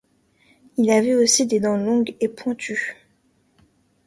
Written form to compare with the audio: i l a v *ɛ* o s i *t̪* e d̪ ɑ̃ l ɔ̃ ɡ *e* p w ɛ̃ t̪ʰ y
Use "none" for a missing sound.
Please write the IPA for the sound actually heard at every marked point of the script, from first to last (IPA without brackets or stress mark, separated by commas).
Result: ɛ, d̪, e